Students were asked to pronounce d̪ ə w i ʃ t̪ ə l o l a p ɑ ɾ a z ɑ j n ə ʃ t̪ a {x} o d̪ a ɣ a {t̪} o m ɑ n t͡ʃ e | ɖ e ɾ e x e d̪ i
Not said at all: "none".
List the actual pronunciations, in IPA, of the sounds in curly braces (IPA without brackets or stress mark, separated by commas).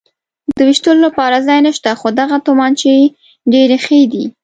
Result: x, t̪